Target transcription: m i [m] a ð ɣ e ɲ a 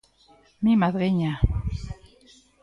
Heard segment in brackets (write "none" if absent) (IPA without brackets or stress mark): m